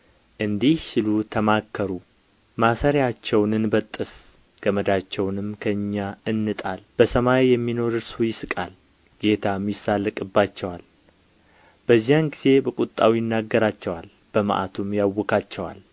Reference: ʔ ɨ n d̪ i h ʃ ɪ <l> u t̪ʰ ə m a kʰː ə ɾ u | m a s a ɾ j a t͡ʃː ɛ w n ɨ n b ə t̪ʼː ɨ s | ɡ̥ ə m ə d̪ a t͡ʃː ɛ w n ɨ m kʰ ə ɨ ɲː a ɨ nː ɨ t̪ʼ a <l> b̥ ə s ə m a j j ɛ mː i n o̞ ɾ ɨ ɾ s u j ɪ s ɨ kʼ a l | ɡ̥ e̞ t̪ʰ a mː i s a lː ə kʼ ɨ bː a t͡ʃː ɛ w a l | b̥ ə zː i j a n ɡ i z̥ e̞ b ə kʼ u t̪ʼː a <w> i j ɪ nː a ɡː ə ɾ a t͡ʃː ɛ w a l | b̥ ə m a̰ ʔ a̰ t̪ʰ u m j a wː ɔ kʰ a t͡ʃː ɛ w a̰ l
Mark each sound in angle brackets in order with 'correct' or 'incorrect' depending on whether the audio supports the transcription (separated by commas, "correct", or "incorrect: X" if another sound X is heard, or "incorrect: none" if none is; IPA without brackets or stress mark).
correct, correct, correct